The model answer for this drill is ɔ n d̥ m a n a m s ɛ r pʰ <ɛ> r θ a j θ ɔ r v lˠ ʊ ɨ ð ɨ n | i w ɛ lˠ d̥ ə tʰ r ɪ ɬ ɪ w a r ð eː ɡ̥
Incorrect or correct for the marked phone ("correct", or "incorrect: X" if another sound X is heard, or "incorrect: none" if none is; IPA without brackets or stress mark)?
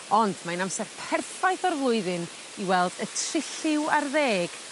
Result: correct